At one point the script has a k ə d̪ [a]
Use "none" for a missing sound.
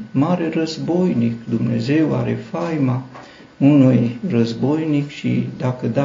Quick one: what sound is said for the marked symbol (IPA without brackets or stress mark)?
a